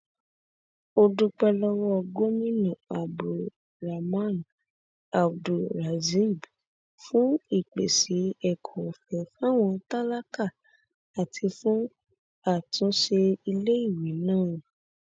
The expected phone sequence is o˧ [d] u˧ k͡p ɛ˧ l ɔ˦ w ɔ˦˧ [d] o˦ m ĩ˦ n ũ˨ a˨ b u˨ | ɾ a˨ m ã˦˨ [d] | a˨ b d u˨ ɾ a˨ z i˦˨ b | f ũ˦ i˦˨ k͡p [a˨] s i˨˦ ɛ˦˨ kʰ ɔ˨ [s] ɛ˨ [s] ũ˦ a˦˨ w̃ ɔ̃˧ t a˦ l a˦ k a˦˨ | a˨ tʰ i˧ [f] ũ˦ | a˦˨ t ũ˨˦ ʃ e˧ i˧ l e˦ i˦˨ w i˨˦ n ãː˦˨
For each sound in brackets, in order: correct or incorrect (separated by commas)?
correct, incorrect, incorrect, incorrect, incorrect, incorrect, correct